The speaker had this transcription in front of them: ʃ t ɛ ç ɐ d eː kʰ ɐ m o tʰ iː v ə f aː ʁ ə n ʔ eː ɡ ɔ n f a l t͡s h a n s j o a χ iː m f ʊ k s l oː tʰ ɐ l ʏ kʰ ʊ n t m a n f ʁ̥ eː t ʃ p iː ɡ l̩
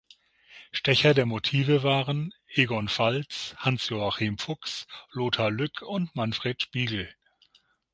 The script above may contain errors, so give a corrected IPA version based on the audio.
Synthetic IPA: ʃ t ɛ ç ɐ d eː ɐ m o tʰ iː v ə v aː ʁ ə n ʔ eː ɡ ɔ n f a l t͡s h a n s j o a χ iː m f ʊ k s l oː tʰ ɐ l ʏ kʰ ʊ n t m a n f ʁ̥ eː t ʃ p iː ɡ l̩